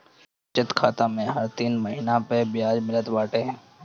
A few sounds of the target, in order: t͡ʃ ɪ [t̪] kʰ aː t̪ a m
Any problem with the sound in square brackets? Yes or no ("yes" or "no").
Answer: no